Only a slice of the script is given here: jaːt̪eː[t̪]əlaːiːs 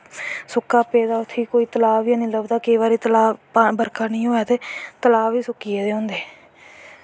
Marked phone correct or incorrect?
correct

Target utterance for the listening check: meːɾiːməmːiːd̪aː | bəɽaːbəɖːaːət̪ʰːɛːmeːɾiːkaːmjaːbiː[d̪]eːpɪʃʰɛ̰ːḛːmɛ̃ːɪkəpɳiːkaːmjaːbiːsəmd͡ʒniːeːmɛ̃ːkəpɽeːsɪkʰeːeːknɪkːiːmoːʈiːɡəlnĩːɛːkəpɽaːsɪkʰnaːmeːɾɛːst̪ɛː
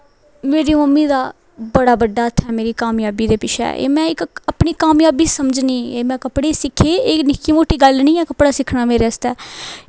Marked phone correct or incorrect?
correct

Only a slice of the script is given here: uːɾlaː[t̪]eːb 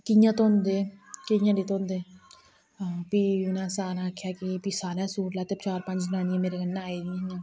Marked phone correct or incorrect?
correct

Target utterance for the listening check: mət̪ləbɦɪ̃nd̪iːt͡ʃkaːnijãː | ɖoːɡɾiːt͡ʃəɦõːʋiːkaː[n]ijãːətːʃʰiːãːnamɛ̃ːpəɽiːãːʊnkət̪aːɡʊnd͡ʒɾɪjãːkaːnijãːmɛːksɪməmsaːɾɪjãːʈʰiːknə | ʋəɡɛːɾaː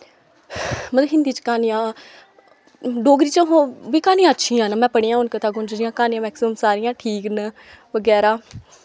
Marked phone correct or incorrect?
correct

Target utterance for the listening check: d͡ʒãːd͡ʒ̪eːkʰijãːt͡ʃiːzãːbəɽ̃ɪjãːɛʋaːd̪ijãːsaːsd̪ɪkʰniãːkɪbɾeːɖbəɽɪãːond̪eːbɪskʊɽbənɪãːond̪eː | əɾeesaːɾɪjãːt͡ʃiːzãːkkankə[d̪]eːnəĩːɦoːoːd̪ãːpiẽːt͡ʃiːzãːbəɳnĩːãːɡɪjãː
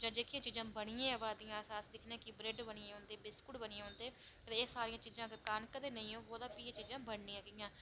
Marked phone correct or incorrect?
correct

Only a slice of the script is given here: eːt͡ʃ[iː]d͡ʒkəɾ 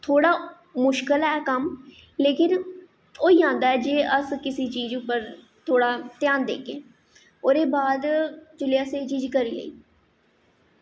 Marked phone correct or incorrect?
correct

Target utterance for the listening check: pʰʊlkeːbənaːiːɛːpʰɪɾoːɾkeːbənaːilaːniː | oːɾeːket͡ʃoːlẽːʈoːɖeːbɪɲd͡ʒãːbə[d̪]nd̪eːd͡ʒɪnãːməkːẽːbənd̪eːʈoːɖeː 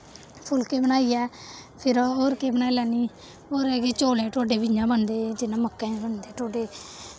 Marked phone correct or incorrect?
incorrect: none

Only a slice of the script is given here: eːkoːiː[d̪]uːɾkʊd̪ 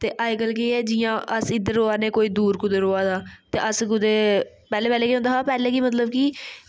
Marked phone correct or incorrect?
correct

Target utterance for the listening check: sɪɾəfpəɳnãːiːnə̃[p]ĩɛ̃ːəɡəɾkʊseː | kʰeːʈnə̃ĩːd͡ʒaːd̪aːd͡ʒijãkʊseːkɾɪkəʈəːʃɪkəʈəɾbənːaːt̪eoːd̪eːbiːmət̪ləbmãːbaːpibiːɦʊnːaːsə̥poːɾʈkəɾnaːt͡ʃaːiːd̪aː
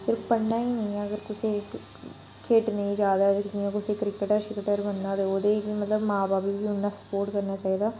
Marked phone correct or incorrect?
incorrect: none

